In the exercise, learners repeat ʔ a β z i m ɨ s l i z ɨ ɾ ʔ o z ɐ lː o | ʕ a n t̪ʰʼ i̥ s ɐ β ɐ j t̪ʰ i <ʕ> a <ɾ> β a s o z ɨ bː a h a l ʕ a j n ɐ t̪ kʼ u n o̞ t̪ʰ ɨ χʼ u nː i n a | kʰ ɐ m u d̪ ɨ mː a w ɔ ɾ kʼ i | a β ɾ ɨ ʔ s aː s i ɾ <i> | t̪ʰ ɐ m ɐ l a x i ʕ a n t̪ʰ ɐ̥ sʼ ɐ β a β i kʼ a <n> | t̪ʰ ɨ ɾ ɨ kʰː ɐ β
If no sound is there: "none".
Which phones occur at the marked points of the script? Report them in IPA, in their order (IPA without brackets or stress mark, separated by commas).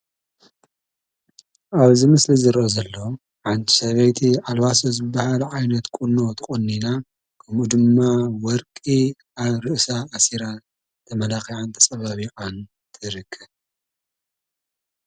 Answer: ʕ, l, a, n